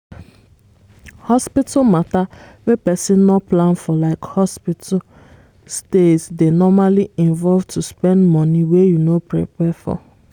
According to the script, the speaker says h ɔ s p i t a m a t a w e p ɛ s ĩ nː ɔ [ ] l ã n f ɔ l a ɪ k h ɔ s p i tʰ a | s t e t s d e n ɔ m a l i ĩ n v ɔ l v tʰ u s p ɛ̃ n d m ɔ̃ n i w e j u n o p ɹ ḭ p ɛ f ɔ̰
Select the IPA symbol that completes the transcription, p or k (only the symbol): p